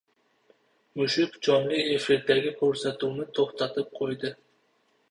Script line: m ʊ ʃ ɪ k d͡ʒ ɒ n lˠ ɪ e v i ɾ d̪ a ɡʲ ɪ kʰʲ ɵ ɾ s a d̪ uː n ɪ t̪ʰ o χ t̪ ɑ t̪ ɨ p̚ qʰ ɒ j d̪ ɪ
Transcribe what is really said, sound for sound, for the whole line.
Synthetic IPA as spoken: m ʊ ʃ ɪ k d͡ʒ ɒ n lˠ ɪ e f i ɾ d̪ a ɡʲ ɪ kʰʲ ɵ ɾ s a t̪ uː n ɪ t̪ʰ o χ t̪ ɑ t̪ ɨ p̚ qʰ o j d̪ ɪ